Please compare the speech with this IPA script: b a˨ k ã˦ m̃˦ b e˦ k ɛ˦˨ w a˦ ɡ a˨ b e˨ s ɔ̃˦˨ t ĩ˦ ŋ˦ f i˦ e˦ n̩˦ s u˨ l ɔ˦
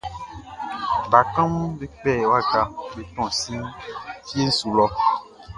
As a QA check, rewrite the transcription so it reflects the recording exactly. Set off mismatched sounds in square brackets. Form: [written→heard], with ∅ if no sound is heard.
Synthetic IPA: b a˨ k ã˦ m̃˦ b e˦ [k→k͡p] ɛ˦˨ w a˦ ɡ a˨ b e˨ [s→t] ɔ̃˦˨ [t→s] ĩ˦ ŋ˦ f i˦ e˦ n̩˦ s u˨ l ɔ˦

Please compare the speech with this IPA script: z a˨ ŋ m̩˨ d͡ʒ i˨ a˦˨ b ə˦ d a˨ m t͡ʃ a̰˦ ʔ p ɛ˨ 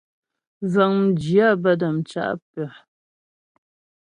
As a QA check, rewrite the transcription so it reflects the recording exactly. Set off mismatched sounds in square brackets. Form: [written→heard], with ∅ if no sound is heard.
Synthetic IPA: z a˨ ŋ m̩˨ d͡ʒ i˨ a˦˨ b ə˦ d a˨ m t͡ʃ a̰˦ ʔ p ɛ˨

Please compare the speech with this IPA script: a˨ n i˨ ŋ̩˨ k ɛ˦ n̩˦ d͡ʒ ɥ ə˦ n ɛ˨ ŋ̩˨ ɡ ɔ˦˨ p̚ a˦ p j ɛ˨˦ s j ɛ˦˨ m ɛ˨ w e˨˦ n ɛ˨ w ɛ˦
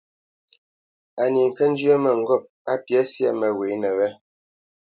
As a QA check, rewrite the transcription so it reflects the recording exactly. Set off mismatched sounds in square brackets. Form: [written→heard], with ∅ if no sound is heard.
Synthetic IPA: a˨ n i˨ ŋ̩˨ k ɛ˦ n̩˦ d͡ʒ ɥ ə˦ [n→m] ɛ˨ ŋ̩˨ ɡ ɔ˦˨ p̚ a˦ p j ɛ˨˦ s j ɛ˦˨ m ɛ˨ w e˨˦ n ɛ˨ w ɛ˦

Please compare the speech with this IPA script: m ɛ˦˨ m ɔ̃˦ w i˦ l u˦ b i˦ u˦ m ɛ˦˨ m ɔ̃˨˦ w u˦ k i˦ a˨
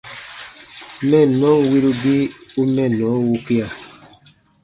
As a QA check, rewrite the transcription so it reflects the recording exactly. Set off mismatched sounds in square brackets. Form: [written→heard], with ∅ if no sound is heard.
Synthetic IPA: m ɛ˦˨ [m→n] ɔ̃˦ w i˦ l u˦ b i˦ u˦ m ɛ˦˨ [m→n] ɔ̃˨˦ w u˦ k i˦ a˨

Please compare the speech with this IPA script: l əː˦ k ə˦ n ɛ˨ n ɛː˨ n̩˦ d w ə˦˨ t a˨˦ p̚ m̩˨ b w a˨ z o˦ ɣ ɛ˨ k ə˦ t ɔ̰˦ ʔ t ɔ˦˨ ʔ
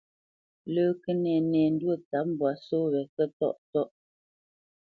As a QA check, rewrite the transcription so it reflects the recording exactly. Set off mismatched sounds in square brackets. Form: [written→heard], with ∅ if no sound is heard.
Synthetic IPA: l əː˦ k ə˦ n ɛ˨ n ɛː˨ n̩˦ d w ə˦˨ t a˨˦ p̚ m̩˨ b w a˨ [z→s] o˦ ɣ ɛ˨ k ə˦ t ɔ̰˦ ʔ t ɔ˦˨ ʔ

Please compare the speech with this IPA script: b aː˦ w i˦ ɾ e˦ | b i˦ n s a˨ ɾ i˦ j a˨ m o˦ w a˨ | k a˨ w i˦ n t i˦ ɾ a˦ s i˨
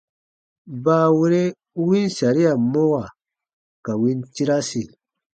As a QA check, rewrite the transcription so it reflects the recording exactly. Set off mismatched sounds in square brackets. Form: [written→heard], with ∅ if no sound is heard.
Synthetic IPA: b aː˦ w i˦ ɾ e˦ | [b→w] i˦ n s a˨ ɾ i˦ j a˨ m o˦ w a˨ | k a˨ w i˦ n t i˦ ɾ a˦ s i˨

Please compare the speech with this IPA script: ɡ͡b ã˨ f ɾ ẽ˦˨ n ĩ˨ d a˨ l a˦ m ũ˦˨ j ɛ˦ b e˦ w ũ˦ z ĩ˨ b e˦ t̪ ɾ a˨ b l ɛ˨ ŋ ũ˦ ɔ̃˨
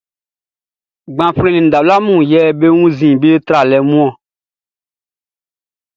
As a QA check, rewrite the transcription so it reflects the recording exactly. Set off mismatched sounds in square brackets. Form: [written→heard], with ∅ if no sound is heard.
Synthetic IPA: ɡ͡b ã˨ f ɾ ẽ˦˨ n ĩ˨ d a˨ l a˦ m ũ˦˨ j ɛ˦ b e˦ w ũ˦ z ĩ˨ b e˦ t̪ ɾ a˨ [b→∅] l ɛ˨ [ŋ→m] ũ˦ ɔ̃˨

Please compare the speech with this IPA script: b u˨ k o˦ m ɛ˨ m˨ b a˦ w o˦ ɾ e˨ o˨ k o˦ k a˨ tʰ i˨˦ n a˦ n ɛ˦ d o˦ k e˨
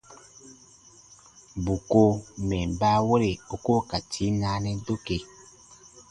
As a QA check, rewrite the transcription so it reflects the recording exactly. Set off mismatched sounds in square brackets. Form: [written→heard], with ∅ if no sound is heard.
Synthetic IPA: b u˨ k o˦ m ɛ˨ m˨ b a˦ w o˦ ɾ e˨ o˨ k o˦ k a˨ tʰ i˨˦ n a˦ n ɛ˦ d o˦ k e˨

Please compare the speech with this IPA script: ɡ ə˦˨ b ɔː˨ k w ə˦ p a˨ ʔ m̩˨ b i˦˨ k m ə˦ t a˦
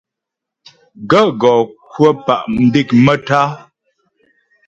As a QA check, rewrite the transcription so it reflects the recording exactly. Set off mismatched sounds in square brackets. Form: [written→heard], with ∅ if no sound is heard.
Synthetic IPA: ɡ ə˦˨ [b→ɡ] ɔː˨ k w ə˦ p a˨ ʔ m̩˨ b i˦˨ k m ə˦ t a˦

